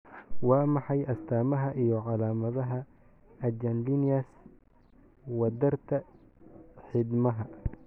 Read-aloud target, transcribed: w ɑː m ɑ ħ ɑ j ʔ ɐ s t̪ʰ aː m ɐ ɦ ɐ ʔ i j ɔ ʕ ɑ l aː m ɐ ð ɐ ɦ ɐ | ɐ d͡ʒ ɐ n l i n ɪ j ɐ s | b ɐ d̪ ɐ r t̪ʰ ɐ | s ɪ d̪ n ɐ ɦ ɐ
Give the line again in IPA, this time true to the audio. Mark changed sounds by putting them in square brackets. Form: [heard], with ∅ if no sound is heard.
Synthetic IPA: w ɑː m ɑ ħ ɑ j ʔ ɐ s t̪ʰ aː m ɐ ɦ ɐ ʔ i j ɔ ʕ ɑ l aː m ɐ ð ɐ ɦ ɐ | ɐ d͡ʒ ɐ n l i n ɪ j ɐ s | [w] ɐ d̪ ɐ r t̪ʰ ɐ | [ħ] ɪ d̪ [m] ɐ ɦ ɐ